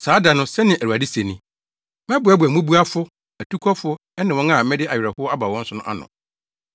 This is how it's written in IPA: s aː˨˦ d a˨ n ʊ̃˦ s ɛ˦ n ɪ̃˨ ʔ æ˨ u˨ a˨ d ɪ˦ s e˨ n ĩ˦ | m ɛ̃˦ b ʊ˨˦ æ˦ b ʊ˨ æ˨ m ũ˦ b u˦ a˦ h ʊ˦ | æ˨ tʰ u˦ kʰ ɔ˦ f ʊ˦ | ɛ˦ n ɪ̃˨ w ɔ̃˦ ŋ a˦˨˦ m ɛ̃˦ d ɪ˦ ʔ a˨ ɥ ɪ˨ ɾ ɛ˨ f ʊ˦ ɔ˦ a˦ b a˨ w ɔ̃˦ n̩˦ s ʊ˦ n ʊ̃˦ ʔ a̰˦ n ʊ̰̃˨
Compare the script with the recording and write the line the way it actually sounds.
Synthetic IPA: s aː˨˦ d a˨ n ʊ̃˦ s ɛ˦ n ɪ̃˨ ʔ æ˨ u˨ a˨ d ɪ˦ s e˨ n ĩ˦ | m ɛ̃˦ b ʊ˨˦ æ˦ b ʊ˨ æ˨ m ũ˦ b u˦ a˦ f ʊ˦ | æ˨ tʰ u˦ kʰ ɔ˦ f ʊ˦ | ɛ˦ n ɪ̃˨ w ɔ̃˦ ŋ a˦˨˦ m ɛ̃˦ d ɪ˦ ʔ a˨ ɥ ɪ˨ ɾ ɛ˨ h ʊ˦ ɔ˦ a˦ b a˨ w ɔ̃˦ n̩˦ s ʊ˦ n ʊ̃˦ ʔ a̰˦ n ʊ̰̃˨